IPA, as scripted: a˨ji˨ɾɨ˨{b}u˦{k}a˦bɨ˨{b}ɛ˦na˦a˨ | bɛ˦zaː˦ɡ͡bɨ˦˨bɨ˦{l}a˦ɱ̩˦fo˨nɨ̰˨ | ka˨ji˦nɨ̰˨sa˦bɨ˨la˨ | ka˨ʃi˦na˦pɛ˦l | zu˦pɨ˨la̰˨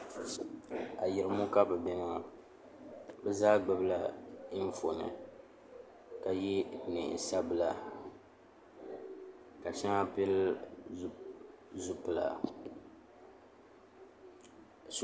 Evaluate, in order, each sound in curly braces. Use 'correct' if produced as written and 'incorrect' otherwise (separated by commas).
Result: incorrect, correct, correct, correct